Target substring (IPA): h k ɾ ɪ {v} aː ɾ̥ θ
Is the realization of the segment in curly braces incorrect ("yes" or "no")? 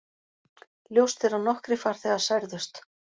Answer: yes